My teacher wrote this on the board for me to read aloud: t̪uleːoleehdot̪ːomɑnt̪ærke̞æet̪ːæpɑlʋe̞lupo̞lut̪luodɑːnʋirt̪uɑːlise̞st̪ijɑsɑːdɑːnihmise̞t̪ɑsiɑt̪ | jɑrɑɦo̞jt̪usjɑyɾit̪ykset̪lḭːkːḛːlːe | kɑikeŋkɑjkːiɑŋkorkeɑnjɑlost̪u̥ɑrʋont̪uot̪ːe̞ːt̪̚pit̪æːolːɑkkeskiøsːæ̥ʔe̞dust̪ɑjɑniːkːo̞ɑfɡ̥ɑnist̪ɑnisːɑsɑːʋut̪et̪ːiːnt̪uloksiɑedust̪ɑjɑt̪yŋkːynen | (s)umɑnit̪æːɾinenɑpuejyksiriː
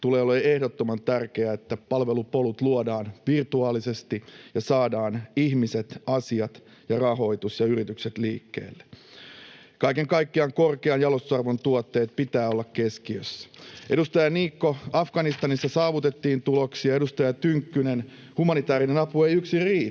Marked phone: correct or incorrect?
incorrect: h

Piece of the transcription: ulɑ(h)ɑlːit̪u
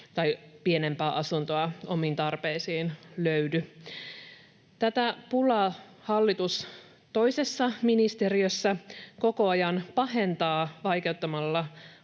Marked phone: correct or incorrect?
correct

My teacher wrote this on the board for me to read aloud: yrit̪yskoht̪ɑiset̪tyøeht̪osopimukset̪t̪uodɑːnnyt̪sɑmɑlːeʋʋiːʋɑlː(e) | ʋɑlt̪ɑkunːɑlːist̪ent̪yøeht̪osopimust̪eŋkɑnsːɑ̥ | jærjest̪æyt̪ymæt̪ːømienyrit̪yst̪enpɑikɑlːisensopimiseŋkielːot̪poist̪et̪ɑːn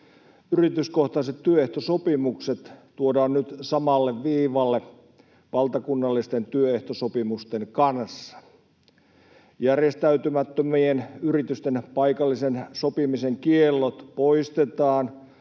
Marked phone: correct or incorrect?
correct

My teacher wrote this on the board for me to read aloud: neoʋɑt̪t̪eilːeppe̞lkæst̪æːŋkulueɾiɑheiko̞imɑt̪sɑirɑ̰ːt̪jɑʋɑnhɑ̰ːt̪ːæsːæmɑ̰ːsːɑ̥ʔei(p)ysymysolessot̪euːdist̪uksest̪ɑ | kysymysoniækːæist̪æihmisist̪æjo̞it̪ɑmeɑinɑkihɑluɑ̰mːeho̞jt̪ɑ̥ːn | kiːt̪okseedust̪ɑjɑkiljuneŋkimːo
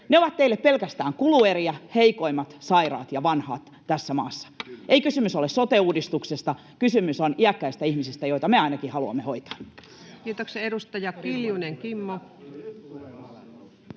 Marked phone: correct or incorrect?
incorrect: k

